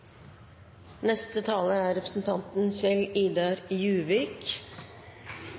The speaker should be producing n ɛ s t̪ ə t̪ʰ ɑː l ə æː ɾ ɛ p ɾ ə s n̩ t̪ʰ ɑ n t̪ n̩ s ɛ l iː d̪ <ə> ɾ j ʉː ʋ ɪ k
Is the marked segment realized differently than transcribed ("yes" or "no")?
yes